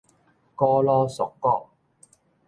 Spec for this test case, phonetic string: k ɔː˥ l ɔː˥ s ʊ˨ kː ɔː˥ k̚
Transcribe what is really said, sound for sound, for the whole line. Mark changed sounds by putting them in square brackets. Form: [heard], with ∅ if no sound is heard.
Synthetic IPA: k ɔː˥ l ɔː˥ s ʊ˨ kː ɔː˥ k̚

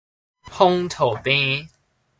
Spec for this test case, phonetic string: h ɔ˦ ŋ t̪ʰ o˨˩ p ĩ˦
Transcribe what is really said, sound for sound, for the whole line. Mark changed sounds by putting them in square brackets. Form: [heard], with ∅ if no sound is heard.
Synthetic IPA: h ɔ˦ ŋ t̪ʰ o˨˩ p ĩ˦

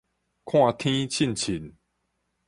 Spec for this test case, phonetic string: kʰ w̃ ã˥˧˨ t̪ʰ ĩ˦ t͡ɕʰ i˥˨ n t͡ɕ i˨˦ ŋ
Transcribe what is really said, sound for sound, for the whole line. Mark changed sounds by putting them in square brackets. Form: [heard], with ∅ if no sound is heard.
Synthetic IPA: kʰ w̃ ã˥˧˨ t̪ʰ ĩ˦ t͡ɕʰ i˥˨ n [t͡ɕʰ] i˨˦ [n]

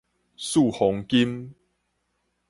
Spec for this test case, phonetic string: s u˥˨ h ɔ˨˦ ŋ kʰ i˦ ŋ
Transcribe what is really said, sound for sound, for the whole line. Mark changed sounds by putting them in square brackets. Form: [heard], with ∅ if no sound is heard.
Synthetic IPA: s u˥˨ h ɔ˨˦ ŋ [k] i˦ [m]

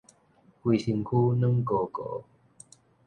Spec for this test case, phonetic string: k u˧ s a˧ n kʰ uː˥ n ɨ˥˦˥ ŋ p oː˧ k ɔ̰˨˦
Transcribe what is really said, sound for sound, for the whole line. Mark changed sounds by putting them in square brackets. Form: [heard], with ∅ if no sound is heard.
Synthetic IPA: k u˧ s [i˧] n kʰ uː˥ n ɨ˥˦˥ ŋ [k] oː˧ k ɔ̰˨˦

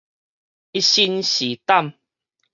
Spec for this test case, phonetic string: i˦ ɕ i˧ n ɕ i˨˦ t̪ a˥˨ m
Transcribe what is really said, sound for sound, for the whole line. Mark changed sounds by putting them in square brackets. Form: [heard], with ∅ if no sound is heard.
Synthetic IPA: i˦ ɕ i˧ n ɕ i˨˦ t̪ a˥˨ m

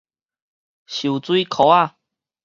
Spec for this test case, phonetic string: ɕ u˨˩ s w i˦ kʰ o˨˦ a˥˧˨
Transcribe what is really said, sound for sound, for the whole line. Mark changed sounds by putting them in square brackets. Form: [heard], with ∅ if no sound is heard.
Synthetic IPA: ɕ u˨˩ [t͡s] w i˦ kʰ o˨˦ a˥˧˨

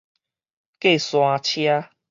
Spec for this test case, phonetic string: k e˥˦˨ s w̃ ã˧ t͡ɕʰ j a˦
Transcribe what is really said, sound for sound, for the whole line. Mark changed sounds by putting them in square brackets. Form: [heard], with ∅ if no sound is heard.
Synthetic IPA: k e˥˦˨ s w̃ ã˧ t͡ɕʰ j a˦

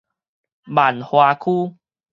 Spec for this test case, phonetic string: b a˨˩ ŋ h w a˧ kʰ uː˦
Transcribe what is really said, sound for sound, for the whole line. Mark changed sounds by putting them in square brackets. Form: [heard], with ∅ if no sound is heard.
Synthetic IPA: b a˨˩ [n] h w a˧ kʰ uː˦

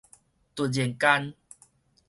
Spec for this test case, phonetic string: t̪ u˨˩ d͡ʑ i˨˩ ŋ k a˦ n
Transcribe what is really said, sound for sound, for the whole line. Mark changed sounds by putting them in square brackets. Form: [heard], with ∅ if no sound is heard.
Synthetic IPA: t̪ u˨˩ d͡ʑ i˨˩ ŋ k a˦ n

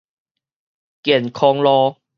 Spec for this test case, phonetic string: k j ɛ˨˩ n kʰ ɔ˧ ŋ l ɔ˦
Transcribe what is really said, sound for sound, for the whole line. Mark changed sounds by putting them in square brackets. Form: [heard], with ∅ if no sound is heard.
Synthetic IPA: k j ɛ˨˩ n kʰ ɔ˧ ŋ l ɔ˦

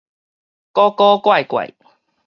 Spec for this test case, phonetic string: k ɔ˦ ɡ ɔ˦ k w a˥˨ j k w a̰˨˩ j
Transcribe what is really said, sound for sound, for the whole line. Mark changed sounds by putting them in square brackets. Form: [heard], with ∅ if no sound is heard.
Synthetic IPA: k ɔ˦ [k] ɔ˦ k w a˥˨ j k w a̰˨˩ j

